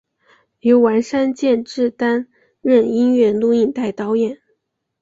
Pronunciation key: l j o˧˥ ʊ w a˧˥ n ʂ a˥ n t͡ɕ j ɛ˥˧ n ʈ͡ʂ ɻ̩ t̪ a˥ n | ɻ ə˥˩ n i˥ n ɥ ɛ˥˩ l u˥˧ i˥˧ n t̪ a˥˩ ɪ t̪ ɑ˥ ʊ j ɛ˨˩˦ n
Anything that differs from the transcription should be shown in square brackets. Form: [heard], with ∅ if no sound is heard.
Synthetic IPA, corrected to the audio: l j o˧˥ ʊ w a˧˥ n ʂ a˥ n t͡ɕ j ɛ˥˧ n ʈ͡ʂ ɻ̩ t̪ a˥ n | ɻ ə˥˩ n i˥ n ɥ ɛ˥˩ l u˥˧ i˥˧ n t̪ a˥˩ ɪ t̪ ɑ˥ ʊ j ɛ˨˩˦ n